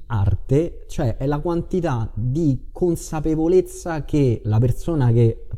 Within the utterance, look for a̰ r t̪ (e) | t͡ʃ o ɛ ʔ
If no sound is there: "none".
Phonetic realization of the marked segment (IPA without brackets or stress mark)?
e